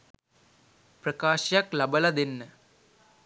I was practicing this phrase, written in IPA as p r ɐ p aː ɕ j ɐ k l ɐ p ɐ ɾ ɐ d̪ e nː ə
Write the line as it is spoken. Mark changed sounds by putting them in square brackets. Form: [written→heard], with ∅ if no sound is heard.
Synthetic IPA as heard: p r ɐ [p→k] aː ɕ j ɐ k l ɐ [p→b] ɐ [ɾ→l] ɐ d̪ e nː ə